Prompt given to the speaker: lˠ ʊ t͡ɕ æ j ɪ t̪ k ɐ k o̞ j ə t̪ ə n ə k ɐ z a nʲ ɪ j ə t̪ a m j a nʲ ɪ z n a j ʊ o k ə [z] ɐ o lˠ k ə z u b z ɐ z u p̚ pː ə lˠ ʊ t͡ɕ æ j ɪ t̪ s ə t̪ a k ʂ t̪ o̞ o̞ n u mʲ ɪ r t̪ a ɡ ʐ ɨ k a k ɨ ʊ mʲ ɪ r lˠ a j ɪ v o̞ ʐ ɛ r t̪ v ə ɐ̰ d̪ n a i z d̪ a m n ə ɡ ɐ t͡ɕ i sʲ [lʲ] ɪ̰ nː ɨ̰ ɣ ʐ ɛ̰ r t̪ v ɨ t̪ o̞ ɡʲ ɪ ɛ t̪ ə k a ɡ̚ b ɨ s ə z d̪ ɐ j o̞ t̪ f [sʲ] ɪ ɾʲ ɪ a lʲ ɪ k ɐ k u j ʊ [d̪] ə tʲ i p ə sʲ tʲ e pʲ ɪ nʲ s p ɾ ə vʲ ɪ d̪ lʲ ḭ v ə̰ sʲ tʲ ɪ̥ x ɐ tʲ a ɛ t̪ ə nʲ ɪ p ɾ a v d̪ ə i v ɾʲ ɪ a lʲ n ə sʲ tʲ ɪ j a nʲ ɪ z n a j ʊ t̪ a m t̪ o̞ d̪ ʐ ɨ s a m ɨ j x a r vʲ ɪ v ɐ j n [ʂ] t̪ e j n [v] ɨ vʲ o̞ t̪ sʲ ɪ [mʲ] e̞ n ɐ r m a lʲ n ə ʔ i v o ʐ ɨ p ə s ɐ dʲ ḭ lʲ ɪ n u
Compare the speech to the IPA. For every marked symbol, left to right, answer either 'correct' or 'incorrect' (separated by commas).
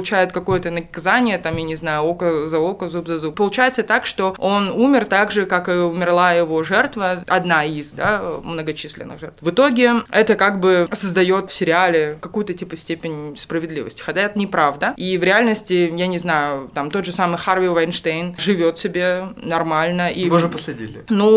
correct, correct, correct, incorrect, correct, incorrect, incorrect